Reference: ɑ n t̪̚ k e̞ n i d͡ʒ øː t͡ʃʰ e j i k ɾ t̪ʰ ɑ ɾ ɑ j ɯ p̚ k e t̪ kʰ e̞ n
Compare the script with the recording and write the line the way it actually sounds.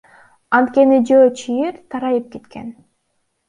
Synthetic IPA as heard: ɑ n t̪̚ k e̞ n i d͡ʒ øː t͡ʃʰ i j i ɾ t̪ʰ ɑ ɾ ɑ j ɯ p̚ k e t̪ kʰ e̞ n